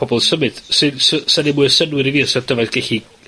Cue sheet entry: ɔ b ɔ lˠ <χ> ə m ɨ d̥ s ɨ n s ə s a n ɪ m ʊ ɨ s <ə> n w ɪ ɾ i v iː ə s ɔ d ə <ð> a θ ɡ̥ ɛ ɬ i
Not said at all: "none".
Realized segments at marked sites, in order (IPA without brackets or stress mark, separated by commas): s, ə, v